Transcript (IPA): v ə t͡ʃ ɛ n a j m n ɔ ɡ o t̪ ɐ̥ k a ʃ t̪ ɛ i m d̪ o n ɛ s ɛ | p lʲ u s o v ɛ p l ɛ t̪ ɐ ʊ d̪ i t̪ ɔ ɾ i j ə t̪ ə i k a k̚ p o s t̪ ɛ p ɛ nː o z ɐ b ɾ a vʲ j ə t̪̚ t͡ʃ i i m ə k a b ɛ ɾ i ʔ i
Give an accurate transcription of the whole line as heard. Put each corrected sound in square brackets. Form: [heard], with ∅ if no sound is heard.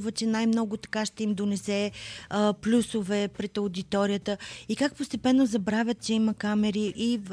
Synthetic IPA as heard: v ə t͡ʃ ɛ n a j m n ɔ ɡ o t̪ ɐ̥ k a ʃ t̪ ɛ i m d̪ o n ɛ s ɛ | p lʲ u s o v ɛ p [ɾ] ɛ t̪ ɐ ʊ d̪ i t̪ ɔ ɾ i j ə t̪ ə i k a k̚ p o s t̪ ɛ p ɛ nː o z ɐ b ɾ a vʲ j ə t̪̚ t͡ʃ [ɛ] i m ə k a [m] ɛ ɾ i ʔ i